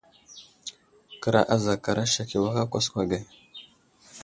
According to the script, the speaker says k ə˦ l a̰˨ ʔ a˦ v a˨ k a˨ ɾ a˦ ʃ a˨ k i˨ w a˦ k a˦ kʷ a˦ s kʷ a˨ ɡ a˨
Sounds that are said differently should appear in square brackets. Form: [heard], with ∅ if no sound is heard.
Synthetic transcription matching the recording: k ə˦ [ɾ] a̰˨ ʔ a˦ [z] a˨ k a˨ ɾ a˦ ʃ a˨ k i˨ w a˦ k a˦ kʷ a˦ s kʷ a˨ ɡ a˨